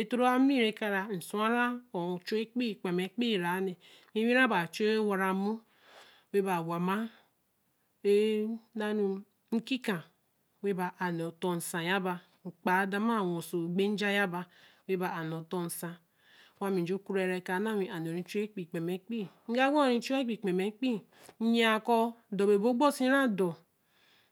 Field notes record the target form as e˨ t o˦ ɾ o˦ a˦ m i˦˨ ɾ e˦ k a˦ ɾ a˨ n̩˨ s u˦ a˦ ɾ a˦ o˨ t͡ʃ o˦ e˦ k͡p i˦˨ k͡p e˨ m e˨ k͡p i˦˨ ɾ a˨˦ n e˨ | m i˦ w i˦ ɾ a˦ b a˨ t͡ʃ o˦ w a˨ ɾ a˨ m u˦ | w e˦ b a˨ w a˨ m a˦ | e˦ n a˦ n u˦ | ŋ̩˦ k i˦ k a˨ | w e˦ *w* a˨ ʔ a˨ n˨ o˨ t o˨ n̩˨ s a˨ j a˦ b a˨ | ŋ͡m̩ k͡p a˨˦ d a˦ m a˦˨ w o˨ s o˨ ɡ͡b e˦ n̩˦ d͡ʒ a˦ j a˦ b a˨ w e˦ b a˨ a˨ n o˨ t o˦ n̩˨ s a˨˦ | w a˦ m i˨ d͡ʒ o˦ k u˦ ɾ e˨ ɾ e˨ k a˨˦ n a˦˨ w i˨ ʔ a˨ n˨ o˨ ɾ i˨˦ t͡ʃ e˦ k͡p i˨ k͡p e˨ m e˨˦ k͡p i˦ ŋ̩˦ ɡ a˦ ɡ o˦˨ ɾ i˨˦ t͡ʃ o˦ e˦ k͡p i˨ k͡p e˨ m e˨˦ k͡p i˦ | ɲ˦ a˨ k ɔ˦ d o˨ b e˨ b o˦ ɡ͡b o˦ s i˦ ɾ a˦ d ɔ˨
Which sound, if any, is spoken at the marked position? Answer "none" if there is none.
b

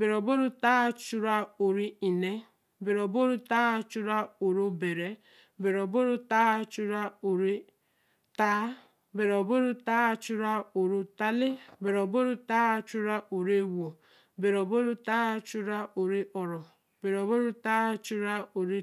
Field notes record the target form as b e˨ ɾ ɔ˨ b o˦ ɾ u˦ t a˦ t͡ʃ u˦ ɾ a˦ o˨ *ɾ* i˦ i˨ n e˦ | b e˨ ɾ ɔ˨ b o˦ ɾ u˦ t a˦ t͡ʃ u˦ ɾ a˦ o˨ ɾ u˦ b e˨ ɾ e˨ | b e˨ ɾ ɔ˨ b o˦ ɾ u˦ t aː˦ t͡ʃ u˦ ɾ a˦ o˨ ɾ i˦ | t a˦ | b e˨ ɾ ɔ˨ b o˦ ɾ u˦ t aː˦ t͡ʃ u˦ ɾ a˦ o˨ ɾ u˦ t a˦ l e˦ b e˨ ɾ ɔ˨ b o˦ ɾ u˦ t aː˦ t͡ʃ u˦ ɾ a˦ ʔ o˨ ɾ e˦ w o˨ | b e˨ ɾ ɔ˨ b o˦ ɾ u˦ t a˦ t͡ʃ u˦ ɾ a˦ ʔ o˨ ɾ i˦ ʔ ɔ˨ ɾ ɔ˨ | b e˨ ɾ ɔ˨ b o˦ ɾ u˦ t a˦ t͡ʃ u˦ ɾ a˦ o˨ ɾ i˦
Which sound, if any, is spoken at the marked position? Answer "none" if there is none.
ɾ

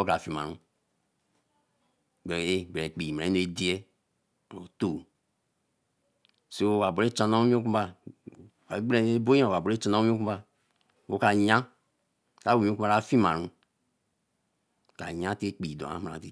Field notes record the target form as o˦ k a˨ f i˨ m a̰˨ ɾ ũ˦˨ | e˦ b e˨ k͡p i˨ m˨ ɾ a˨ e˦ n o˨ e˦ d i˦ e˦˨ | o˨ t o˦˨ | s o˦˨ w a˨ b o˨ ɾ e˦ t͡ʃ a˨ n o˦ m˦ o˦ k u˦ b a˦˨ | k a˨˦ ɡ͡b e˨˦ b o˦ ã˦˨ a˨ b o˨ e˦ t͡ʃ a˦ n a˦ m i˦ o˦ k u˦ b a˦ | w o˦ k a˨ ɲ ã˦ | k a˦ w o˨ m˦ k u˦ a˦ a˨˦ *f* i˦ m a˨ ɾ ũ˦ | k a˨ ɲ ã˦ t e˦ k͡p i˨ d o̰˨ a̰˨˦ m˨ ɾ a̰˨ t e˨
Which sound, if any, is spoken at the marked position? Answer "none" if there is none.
f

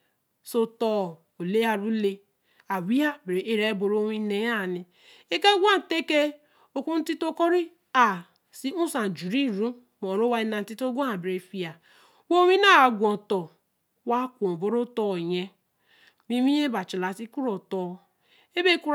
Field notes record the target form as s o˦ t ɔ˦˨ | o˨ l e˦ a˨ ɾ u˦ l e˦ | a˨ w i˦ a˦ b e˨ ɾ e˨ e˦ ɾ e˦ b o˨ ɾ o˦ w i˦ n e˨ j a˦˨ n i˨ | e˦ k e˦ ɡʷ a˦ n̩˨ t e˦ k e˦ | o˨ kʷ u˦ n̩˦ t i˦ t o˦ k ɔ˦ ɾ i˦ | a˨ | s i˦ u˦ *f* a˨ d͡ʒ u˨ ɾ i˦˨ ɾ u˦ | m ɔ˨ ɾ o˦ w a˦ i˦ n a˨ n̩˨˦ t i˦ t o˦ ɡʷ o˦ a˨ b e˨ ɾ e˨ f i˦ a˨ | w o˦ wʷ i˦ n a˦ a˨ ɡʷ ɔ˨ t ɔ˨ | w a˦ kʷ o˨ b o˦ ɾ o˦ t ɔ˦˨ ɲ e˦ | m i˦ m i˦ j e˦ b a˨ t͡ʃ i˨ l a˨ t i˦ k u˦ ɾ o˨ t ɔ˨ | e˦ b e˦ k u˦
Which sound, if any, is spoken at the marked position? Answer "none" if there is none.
s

